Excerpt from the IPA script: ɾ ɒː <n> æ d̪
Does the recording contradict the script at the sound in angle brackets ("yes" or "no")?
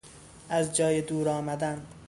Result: yes